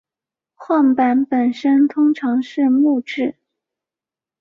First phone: x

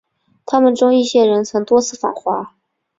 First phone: t̪ʰ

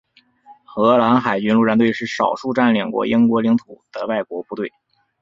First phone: x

